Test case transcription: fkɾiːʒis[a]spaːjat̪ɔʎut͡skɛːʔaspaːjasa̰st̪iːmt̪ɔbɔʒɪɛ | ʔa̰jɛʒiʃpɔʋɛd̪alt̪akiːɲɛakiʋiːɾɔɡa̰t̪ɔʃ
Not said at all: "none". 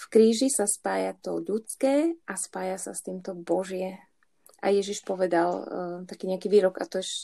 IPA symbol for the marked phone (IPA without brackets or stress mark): a